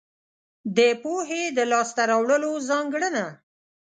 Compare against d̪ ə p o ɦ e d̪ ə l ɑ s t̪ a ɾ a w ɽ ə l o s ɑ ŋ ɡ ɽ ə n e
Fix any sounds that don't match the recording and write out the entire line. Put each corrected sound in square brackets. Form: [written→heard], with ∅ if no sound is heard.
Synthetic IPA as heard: d̪ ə p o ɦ e d̪ ə l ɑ s t̪ a ɾ a w ɽ ə l o [s→z] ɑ ŋ ɡ ɽ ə n [e→a]